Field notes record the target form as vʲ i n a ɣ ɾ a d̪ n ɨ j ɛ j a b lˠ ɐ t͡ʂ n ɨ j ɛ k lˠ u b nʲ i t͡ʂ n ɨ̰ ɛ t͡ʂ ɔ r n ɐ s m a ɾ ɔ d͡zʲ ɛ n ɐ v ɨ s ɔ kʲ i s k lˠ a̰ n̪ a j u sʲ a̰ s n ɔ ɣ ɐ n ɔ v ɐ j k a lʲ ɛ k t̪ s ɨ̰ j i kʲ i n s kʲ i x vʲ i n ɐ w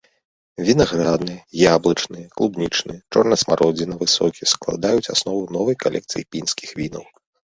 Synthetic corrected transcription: vʲ i n a ɣ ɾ a d̪ n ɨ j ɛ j a b lˠ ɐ t͡ʂ n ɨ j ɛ k lˠ u b nʲ i t͡ʂ n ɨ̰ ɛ t͡ʂ ɔ r n ɐ s m a ɾ ɔ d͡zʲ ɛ n ɐ v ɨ s ɔ kʲ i s k lˠ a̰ d̪ a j u t͡sʲ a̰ s n ɔ v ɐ n ɔ v ɐ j k a lʲ ɛ k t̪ s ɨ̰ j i pʲ i n s kʲ i x vʲ i n ɐ w